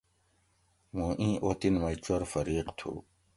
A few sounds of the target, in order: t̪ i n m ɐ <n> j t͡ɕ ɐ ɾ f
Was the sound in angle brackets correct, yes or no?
no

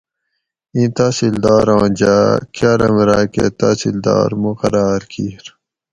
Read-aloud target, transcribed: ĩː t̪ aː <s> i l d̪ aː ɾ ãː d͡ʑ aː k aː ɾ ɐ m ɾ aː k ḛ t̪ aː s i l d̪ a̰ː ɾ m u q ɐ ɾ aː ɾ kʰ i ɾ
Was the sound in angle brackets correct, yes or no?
yes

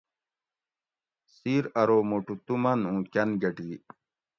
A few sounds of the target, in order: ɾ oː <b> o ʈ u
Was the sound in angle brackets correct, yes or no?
no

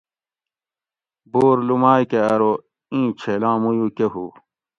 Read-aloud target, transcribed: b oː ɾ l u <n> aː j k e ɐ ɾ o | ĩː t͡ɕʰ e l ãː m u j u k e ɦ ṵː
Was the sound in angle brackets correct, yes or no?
no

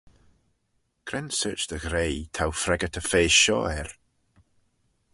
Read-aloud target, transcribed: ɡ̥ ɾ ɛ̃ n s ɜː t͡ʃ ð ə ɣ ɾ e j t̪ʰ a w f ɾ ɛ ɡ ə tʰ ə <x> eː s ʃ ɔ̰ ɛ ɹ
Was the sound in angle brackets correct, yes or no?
no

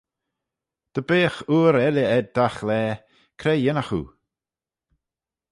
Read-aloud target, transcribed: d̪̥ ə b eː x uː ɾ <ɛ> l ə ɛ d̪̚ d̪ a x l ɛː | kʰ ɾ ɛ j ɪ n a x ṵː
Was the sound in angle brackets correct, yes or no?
yes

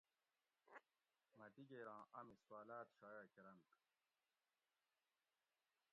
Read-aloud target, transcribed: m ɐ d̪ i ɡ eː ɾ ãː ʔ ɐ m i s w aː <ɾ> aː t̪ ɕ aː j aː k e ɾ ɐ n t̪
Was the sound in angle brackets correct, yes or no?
no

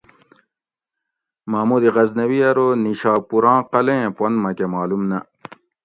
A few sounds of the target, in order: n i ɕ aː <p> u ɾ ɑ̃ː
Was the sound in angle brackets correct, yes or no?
yes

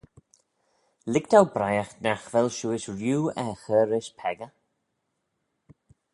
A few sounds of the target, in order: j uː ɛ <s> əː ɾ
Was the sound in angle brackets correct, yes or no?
no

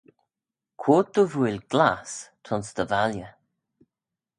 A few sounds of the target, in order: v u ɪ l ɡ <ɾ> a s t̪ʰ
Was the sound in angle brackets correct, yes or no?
no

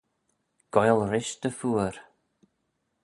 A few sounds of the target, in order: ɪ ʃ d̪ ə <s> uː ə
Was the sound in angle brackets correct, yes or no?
no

